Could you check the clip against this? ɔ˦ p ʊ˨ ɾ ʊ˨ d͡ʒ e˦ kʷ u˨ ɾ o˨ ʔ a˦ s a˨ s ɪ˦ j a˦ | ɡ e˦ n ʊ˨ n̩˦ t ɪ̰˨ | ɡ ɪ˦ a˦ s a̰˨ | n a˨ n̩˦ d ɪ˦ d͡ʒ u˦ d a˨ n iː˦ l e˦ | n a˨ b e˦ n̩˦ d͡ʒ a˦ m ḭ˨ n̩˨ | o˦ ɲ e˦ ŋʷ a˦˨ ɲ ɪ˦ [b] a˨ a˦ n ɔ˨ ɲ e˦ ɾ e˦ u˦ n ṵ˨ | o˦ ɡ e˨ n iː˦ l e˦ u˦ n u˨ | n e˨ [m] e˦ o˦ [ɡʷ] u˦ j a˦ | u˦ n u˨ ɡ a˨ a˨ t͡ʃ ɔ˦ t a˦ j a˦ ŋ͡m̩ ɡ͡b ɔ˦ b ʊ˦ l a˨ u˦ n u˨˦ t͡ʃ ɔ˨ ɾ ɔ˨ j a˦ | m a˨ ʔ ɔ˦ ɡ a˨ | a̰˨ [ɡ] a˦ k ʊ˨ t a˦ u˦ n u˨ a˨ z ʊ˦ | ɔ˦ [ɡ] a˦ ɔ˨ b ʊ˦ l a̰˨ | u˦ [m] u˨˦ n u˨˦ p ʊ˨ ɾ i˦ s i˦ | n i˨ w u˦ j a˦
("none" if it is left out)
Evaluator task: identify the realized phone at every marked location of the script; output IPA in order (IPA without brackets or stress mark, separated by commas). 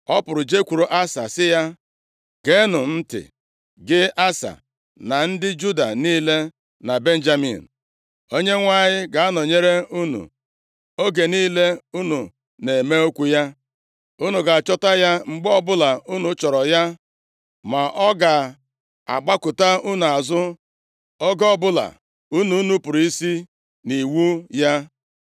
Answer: ɡ, m, kʷ, ɡ͡b, ɡ, n